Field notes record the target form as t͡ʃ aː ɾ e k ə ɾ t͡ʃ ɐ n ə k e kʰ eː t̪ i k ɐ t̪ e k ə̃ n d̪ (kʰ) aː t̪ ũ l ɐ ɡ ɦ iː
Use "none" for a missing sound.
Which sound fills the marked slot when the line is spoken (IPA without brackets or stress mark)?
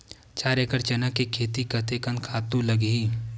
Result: kʰ